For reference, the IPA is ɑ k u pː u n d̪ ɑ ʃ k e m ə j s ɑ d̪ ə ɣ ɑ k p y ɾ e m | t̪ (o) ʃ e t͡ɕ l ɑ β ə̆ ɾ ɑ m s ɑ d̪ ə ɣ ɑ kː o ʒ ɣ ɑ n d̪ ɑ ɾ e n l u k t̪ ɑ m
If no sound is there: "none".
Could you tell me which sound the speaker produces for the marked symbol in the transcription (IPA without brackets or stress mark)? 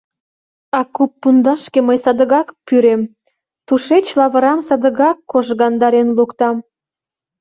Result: u